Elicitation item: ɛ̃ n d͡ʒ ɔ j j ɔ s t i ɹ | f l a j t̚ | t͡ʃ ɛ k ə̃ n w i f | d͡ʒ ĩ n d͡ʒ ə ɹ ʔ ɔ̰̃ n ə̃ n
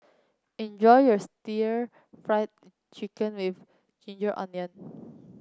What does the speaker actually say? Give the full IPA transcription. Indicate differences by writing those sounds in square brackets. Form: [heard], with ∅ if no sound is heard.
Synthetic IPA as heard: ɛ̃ n d͡ʒ ɔ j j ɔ s t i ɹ | f [ɹ] a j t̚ | t͡ʃ [i] k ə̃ n w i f | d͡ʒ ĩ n d͡ʒ ə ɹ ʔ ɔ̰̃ n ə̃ n